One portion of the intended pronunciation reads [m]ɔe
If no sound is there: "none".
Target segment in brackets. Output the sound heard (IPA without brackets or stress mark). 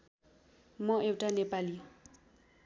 m